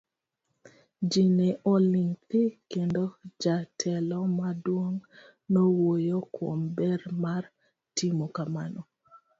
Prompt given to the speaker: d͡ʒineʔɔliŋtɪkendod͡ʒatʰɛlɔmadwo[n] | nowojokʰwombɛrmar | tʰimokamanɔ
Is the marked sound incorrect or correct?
incorrect